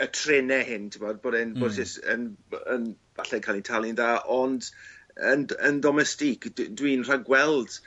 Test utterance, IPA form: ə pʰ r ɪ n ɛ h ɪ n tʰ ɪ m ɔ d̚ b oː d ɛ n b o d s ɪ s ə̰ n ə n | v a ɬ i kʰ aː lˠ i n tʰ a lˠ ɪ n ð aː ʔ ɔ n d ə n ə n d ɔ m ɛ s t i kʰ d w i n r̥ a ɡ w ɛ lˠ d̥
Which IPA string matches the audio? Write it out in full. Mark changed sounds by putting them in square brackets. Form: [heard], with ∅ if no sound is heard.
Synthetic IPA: ə [tʰ] r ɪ n ɛ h ɪ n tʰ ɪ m ɔ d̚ b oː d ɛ n b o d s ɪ s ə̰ n ə n | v a ɬ [ɛ] kʰ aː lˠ i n tʰ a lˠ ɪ n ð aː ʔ ɔ n d ə n ə n d ɔ m ɛ s t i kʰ d w i n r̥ a ɡ w ɛ lˠ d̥